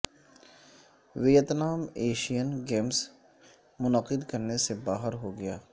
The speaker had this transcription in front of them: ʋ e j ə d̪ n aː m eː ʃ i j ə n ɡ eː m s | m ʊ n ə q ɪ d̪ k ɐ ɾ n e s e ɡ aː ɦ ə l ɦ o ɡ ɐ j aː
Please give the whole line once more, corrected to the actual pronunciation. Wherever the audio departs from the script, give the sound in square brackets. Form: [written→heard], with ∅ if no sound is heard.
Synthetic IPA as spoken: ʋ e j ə [d̪→t̪] n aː m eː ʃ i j ə n ɡ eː m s | m ʊ n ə q ɪ d̪ k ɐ ɾ n e s e [ɡ→b] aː ɦ ə [l→ɾ] ɦ o ɡ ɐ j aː